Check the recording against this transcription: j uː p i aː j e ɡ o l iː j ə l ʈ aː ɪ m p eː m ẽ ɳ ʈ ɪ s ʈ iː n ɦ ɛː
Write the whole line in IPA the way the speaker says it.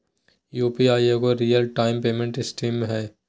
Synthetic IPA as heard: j uː p i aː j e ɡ o ɾ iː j ə l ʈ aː ɪ m p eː m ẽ ɳ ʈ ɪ s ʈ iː m ɦ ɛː

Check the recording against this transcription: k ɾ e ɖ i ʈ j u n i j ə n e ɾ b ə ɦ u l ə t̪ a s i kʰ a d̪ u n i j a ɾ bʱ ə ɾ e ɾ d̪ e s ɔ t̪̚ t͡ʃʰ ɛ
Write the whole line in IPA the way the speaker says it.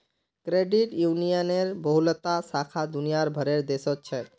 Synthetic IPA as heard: k ɾ e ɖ i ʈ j u n i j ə n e ɾ b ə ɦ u l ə t̪ a s a kʰ a d̪ u n i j a ɾ bʱ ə ɾ e ɾ d̪ e s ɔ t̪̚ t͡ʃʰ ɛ

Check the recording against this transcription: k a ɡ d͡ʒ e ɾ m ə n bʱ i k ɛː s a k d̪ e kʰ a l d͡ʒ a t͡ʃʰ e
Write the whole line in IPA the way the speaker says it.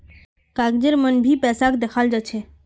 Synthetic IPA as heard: k a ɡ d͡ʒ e ɾ m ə n bʱ i p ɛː s a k d̪ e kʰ a l d͡ʒ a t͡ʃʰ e

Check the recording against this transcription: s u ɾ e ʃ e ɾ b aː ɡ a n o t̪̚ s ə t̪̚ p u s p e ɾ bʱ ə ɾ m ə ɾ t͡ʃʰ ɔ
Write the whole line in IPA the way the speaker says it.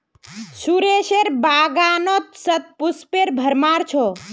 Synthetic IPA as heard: s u ɾ e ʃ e ɾ b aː ɡ a n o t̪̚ s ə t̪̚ p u s p e ɾ bʱ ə ɾ m a ɾ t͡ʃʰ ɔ

